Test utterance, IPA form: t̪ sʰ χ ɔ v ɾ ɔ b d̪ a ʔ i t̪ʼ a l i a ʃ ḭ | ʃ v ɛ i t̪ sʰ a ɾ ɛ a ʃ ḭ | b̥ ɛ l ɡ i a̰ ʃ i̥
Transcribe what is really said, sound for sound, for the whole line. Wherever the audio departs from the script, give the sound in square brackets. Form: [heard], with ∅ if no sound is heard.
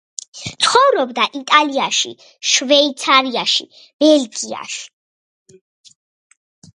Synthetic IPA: t̪ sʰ χ ɔ v ɾ ɔ b d̪ a ʔ i t̪ʼ a l i a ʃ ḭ | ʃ v ɛ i t̪ sʰ a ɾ [i] a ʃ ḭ | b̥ ɛ l ɡ i a̰ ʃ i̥